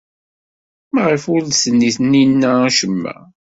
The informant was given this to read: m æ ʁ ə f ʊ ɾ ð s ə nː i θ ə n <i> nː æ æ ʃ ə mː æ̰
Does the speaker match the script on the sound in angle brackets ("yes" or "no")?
yes